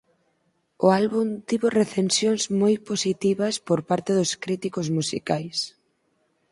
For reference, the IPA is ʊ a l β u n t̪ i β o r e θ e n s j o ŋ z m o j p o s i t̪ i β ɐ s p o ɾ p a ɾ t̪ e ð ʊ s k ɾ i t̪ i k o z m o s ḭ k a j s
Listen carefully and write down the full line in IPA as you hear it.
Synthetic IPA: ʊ a l β u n t̪ i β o r e θ e n s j o ŋ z m o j p o s i t̪ i β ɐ s p o ɾ p a ɾ t̪ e ð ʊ s k ɾ i t̪ i k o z m u s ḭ k a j s

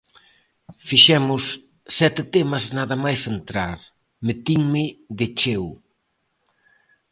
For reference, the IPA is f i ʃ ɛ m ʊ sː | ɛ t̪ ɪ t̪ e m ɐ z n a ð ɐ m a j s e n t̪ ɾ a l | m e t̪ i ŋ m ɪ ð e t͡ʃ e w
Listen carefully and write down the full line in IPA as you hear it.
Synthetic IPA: f i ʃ ɛ m ʊ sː | ɛ t̪ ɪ t̪ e m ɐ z n a ð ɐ m a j s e n t̪ ɾ a ɾ | m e t̪ i ŋ m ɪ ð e t͡ʃ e w

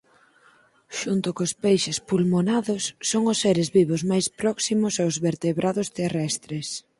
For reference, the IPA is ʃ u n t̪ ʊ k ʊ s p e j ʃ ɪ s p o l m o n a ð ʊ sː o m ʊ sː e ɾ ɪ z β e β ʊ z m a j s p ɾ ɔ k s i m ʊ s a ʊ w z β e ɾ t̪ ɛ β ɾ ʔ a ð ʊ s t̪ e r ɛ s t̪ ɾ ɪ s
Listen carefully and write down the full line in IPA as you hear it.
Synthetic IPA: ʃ u n t̪ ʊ k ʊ s p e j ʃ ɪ s p u l m o n a ð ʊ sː o ŋ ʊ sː e ɾ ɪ z β i β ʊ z m a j s p ɾ ɔ k s i m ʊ s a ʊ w z β e ɾ t̪ e β ɾ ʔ a ð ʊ s t̪ e r ɛ s t̪ ɾ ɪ s

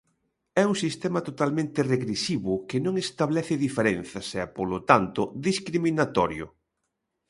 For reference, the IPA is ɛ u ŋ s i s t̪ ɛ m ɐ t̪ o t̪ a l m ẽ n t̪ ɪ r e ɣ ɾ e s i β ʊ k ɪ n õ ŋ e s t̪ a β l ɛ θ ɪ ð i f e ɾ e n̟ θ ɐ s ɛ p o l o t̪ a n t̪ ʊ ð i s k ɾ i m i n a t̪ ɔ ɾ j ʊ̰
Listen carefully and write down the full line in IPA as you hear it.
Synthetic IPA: ɛ u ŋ s i s t̪ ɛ m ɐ t̪ o t̪ a l m ẽ n t̪ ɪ r e ɣ ɾ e s i β ʊ k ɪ n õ ŋ e s t̪ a β l ɛ θ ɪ ð i f e ɾ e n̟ θ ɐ s ɛ p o l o t̪ a n t̪ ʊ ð i s k ɾ i m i n a t̪ ɔ ɾ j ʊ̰

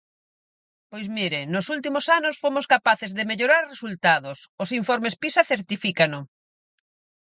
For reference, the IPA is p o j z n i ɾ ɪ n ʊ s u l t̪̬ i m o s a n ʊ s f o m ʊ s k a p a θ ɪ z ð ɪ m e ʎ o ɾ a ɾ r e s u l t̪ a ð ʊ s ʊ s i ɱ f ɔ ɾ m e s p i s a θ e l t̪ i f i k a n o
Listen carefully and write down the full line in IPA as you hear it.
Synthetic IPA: p o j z m i ɾ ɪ n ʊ s u l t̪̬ i m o s a n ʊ s f o m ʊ s k a p a θ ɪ z ð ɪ m e ʎ o ɾ a ɾ r e s u l t̪ a ð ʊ s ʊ s i ɱ f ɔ ɾ m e s p i s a θ e ɾ t̪ i f i k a n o

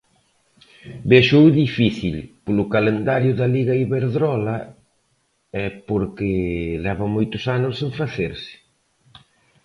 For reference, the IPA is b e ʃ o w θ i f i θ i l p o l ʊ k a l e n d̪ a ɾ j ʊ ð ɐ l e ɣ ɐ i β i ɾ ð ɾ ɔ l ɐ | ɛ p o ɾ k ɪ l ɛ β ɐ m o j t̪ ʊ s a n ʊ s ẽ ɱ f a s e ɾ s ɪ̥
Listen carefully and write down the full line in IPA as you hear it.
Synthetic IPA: b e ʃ o w ð i f i θ i l p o l ʊ k a l e n d̪ a ɾ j ʊ ð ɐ l i ɣ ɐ i β e ɾ ð ɾ ɔ l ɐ | ɛ p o ɾ k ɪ l ɛ β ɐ m o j t̪ ʊ s a n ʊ s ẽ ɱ f a θ e ɾ s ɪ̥

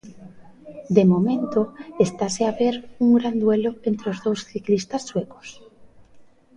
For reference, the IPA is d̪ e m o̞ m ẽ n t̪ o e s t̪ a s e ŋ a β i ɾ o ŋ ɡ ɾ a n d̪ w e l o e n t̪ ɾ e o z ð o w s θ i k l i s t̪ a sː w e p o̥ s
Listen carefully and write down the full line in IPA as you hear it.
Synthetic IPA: d̪ e m o̞ m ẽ n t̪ o e s t̪ a s e a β e ɾ u ŋ ɡ ɾ a n d̪ w e l o e n t̪ ɾ e o z ð o w s θ i k l i s t̪ a sː w e k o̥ s

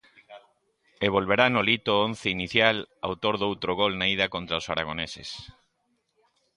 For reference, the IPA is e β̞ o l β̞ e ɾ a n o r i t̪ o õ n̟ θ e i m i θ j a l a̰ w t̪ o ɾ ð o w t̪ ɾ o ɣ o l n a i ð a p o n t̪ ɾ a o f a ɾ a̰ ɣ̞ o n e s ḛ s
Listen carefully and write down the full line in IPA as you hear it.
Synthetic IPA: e β̞ o l β̞ e ɾ a n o l i t̪ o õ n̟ θ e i n i θ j a l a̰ w t̪ o ɾ ð o w t̪ ɾ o ɣ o l n a i ð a k o n t̪ ɾ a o s a ɾ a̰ ɣ̞ o n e s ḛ s

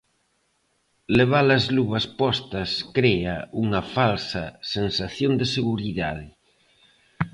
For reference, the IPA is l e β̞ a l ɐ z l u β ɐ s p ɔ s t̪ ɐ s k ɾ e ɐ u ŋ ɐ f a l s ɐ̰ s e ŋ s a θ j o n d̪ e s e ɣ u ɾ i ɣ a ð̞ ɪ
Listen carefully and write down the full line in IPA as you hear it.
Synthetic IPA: l e β̞ a l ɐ z l u β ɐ s p ɔ s t̪ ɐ s k ɾ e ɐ u ŋ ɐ f a l s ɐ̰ s e n s a θ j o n d̪ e s e ɣ u ɾ i ð a ð̞ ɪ

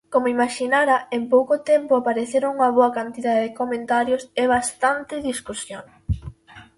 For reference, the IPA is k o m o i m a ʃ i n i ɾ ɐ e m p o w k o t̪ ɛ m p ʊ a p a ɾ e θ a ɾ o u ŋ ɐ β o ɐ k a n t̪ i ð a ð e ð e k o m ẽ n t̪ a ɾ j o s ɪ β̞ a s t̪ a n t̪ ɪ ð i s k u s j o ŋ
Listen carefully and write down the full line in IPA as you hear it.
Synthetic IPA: k o m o i m a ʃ i n a ɾ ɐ e m p o w k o t̪ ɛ m p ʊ a p a ɾ e θ e ɾ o u ŋ ɐ β o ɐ k a n t̪ i ð a ð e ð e k o m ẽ n t̪ a ɾ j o s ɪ β̞ a s t̪ a n t̪ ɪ ð i s k u s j o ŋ

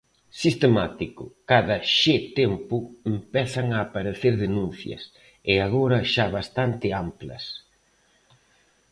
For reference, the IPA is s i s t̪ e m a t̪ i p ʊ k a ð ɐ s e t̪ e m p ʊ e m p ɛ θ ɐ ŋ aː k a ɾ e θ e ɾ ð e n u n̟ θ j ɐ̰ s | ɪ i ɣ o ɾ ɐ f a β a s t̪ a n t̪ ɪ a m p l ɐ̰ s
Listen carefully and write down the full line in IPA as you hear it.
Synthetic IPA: s i s t̪ e m a t̪ i k ʊ k a ð ɐ ʃ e t̪ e m p ʊ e m p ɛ θ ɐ ŋ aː p a ɾ e θ e ɾ ð e n u n̟ θ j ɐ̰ s | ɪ a ɣ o ɾ ɐ ʃ a β a s t̪ a n t̪ ɪ a m p l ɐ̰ s

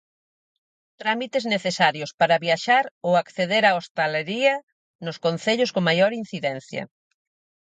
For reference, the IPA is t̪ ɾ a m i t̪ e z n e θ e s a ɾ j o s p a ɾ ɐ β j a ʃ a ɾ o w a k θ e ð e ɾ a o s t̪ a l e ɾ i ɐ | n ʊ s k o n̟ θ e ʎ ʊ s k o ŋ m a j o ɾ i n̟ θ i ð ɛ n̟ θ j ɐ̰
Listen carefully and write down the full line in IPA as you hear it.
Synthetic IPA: t̪ ɾ a m i t̪ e z n e θ e s a ɾ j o s p a ɾ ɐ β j a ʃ a ɾ o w a k θ e ð e ɾ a o s t̪ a l e ɾ i ɐ | n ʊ s k o n̟ θ e ʎ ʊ s k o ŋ m a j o ɾ i n̟ θ i ð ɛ n̟ θ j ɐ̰

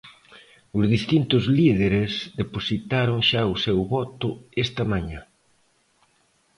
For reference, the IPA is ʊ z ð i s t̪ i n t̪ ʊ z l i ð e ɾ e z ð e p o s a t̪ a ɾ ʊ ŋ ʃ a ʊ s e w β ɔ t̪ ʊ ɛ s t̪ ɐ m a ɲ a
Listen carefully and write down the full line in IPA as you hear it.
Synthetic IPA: ʊ z ð i s t̪ i n t̪ ʊ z l i ð e ɾ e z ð e p o s i t̪ a ɾ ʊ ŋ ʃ a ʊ s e w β ɔ t̪ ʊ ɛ s t̪ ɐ m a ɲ a

